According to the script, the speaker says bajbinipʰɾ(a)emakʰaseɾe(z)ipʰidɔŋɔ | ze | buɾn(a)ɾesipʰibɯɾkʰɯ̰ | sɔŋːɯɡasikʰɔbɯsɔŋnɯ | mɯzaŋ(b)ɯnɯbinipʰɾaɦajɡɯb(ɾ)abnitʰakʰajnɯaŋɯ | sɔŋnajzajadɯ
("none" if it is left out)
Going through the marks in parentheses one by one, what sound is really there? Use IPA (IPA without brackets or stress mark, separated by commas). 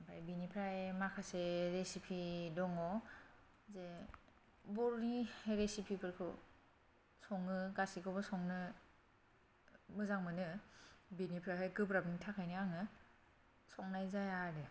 a, s, i, m, ɾ